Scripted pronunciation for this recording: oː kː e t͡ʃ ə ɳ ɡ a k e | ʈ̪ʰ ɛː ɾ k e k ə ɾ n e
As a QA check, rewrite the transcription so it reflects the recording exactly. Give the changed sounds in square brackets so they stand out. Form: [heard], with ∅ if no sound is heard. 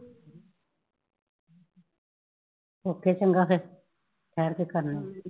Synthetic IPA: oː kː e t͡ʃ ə [ŋ] ɡ a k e | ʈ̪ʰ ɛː ɾ k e k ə ɾ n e